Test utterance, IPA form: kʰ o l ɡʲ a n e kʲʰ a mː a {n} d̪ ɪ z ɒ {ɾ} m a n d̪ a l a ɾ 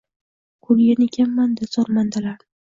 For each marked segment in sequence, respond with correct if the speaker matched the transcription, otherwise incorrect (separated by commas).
correct, correct